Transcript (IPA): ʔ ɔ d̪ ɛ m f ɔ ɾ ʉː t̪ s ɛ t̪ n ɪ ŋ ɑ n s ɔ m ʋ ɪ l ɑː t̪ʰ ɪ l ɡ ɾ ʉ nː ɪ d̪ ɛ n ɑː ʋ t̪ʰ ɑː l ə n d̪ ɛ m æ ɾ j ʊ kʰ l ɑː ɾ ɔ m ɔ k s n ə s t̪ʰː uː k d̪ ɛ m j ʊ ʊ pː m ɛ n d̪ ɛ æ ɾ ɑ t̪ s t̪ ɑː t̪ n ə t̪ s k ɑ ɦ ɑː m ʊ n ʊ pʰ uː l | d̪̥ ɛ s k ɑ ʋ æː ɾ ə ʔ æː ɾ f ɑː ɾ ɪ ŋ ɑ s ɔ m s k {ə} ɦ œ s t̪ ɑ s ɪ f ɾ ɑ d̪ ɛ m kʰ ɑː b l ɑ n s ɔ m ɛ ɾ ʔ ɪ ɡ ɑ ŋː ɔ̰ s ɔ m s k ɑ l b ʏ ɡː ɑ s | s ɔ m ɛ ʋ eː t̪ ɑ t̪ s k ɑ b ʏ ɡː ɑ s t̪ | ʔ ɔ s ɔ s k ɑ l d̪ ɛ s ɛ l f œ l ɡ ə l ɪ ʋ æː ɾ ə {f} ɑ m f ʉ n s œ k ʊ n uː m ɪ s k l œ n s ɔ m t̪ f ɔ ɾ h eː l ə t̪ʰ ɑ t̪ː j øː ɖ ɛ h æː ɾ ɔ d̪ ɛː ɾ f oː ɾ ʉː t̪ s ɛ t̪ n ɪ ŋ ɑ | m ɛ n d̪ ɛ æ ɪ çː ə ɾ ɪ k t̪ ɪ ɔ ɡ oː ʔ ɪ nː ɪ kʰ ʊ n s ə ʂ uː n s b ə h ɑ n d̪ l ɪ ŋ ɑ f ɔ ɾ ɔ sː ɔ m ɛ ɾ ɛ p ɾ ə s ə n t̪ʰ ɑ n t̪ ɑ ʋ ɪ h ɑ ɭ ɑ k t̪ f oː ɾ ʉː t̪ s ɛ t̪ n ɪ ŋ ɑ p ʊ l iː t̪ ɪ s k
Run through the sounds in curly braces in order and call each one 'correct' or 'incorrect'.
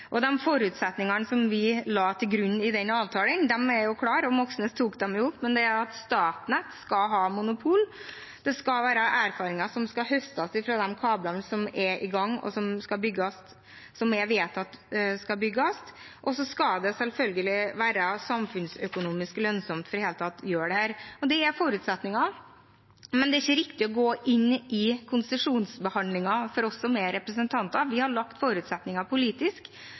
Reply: incorrect: ɑ, incorrect: s

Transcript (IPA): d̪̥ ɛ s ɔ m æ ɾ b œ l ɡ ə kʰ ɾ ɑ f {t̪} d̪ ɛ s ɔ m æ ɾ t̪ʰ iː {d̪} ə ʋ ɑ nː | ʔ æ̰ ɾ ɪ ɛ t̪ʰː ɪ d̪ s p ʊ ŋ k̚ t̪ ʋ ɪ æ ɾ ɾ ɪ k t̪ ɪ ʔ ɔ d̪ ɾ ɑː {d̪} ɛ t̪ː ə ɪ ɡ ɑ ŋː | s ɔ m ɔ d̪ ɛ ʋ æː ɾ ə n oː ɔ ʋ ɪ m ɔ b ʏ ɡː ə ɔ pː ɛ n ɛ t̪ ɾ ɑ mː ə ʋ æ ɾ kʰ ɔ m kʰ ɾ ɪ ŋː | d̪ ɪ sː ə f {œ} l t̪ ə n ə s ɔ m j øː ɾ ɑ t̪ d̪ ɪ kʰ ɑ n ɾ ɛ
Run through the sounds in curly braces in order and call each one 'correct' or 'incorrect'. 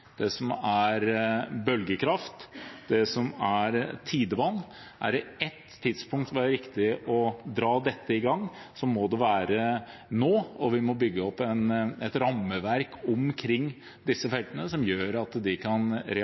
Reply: correct, correct, correct, incorrect: ɛ

